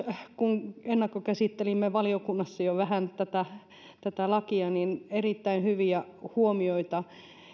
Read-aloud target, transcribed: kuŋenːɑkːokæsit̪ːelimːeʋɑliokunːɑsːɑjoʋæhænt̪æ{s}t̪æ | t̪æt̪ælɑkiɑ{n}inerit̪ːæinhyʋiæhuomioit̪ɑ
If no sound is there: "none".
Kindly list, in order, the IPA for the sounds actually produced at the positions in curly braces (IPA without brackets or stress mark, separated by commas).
none, n